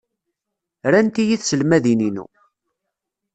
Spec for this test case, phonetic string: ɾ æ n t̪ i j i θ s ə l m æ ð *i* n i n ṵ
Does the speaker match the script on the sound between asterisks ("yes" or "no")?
yes